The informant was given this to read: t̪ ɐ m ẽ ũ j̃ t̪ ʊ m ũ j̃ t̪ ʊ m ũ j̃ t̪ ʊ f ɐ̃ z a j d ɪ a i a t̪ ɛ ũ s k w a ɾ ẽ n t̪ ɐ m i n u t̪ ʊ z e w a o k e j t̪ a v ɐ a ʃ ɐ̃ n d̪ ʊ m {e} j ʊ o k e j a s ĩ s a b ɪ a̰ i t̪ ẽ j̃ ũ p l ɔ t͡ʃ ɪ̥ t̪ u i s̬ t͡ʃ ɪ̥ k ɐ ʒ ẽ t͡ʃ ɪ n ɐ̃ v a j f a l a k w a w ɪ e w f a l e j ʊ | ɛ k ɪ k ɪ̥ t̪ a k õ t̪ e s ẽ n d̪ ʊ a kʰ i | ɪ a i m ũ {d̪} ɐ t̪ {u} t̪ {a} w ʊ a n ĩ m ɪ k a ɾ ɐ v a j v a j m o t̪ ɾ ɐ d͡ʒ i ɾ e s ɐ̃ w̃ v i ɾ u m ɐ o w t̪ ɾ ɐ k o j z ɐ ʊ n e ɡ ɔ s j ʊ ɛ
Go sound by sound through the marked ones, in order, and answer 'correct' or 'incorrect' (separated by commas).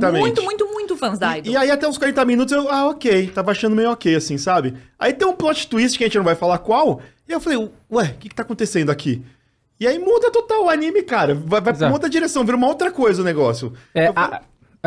correct, correct, incorrect, correct